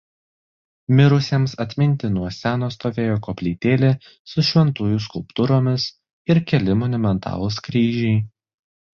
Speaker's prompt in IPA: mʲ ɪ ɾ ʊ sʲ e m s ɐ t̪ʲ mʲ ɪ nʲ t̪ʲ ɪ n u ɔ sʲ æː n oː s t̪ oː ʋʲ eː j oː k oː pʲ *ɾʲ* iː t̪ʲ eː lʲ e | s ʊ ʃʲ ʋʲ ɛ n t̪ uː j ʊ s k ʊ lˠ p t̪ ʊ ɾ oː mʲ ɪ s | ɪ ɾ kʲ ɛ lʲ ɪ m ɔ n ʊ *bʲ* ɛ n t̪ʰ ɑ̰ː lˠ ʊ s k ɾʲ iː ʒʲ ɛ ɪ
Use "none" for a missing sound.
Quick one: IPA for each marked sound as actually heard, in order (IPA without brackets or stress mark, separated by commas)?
lʲ, mʲ